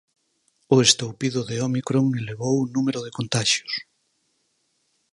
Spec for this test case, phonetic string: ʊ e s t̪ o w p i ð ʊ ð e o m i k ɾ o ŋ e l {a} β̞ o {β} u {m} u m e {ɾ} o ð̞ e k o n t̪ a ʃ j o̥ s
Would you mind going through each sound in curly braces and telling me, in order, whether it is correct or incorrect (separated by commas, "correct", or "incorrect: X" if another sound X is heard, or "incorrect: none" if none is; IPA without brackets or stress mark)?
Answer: incorrect: e, incorrect: w, incorrect: n, correct